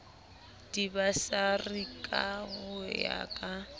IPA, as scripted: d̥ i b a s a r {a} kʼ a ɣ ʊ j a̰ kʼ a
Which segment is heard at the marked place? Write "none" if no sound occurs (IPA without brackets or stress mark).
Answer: i